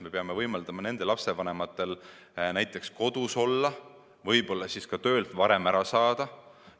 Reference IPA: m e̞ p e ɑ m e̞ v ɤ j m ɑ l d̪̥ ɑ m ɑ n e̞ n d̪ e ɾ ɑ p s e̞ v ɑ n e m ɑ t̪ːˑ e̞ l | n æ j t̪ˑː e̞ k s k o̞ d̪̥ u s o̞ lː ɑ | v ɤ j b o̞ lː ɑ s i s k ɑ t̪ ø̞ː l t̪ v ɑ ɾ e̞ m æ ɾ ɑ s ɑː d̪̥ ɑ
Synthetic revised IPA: m e̞ p e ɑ m e̞ v ɤ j m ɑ l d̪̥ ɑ m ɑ n e̞ n d̪ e l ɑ p s e̞ v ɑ n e m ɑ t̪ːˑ e̞ l | n æ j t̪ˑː e̞ k s k o̞ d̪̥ u s o̞ lː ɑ | v ɤ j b o̞ lː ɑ s i s k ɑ t̪ ø̞ː l t̪ v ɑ ɾ e̞ m æ ɾ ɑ s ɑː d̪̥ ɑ